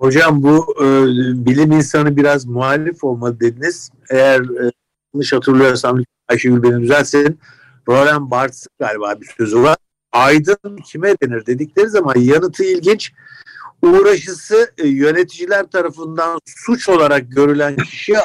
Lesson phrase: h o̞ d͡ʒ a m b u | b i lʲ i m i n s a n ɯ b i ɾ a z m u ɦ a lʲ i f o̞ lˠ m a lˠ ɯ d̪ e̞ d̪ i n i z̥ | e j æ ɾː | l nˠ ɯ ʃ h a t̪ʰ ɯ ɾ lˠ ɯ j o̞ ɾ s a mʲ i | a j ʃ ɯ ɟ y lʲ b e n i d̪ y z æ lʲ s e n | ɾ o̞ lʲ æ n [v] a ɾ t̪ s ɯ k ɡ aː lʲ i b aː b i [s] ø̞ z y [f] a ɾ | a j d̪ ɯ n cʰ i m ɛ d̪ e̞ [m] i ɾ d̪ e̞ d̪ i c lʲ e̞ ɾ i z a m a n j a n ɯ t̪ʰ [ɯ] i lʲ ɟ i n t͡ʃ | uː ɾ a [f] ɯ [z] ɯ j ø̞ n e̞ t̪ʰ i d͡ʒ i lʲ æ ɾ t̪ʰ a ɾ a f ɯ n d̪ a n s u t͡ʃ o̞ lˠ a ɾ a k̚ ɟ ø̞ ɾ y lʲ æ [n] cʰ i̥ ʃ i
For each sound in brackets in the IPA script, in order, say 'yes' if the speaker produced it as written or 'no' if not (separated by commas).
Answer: no, yes, no, no, yes, no, no, yes